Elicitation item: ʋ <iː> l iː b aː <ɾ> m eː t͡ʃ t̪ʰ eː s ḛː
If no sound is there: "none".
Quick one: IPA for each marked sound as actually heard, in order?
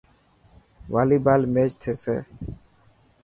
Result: aː, l

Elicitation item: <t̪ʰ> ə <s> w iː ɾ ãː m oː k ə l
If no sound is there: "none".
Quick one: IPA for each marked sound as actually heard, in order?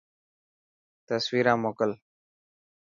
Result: t̪, s

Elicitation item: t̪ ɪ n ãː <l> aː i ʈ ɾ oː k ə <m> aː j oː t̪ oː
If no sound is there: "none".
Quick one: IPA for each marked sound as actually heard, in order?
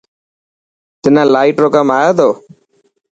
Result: l, m

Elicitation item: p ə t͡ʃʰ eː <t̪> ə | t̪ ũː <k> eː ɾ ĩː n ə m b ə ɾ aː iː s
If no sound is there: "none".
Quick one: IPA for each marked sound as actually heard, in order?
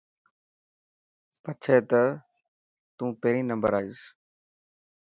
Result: t̪, p

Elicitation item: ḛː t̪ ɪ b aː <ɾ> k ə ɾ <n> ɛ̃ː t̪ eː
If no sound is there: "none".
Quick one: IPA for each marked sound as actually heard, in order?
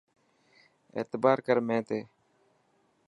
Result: ɾ, m

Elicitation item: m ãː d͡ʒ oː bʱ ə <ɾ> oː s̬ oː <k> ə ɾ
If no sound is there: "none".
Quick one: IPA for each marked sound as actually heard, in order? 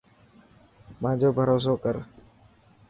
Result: ɾ, k

